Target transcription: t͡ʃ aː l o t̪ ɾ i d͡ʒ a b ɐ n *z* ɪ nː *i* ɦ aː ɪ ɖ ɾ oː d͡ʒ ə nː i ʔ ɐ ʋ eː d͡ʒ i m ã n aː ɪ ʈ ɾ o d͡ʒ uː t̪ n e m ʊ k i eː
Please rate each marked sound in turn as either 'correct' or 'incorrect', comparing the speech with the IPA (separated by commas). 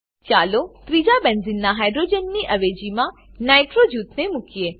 correct, incorrect